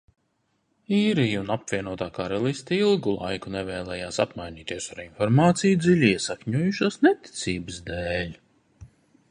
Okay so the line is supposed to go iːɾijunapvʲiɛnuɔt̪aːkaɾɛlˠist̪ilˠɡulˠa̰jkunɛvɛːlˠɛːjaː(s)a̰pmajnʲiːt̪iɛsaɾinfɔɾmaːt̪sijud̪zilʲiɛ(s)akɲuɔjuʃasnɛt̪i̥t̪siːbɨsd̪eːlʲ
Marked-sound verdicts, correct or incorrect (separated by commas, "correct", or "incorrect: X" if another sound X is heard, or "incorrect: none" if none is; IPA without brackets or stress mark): correct, correct